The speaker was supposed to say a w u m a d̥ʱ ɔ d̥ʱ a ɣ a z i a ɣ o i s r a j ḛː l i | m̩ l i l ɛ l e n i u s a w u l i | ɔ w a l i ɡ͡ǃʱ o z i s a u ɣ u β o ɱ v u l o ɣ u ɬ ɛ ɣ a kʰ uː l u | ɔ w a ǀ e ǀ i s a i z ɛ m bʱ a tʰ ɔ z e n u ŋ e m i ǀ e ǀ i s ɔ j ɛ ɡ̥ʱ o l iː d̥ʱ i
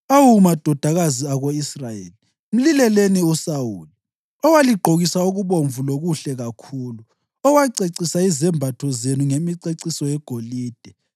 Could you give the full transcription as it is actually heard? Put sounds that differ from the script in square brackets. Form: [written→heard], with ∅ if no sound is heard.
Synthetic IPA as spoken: a w u m a d̥ʱ ɔ d̥ʱ a ɣ a z i a ɣ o i s r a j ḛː l i | m̩ l i l ɛ l e n i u s a w u l i | ɔ w a l i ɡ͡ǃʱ o [z→ɣ] i s a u ɣ u β o ɱ v u l o ɣ u ɬ ɛ ɣ a kʰ uː l u | ɔ w a ǀ e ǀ i s a i z ɛ m bʱ a tʰ ɔ z e n u ŋ e m i ǀ e ǀ i s ɔ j ɛ ɡ̥ʱ o l iː d̥ʱ [i→ɛ]